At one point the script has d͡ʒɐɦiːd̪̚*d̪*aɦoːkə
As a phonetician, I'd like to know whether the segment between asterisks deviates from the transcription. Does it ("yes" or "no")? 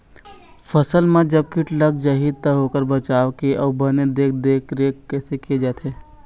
yes